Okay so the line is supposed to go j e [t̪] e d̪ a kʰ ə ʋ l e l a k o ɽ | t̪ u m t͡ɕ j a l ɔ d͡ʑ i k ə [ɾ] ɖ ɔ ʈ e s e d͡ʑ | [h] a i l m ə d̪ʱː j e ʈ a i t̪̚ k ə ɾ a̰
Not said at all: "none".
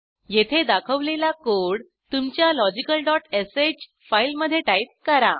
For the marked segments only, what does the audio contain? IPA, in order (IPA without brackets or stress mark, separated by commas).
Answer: t̪ʰ, l, f